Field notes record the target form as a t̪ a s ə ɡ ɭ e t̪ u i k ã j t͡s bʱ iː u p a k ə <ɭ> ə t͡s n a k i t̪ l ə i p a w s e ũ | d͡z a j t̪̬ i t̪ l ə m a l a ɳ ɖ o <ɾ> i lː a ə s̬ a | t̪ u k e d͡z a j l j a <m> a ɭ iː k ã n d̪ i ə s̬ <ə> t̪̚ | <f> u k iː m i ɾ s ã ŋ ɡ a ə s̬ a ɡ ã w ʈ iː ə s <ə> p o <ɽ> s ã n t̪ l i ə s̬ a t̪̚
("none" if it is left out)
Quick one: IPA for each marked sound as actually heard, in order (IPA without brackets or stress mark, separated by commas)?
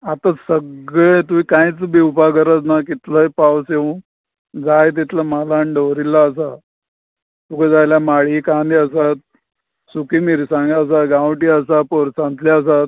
ɾ, ɾ, m, a, s, a, ɾ